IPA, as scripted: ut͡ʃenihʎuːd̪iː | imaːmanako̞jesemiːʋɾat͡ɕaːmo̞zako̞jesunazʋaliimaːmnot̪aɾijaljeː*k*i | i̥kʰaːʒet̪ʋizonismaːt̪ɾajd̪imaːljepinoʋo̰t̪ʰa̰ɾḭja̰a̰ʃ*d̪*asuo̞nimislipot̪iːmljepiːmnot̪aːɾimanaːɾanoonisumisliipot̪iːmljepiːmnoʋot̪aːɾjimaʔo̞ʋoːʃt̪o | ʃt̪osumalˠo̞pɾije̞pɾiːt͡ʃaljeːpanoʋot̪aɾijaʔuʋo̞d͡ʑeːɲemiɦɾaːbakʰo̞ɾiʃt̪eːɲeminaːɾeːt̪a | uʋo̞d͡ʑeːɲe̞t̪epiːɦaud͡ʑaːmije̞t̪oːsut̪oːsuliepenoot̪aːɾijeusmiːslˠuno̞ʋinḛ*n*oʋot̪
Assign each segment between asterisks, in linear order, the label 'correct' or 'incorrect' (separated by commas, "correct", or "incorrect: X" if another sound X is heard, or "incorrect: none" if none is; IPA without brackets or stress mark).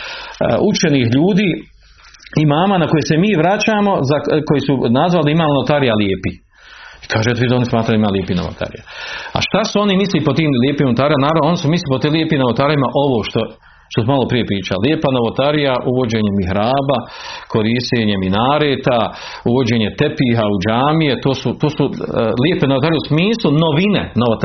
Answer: incorrect: p, incorrect: t̪, correct